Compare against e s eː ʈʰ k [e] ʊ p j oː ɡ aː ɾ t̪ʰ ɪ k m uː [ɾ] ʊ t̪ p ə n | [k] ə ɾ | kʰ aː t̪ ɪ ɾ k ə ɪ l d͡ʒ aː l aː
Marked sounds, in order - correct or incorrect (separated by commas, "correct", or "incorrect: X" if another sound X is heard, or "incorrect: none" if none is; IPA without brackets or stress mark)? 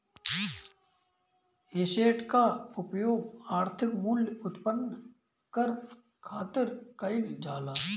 incorrect: a, incorrect: l, correct